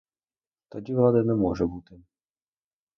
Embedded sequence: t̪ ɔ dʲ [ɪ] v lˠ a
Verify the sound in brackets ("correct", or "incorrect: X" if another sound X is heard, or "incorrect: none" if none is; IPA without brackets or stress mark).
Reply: incorrect: i